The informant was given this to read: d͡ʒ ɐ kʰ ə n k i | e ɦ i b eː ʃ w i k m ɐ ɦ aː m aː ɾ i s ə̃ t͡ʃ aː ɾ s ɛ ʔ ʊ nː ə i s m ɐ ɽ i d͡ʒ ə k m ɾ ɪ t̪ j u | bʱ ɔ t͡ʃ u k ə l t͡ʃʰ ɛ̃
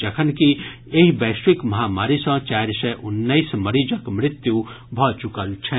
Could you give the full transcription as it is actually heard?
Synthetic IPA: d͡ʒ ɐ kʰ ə n k i | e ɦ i b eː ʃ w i k m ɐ ɦ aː m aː ɾ i s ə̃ t͡ʃ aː ɾ s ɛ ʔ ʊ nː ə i s m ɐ ɾ i d͡ʒ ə k m ɾ ɪ t̪ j u | bʱ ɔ t͡ʃ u k ə l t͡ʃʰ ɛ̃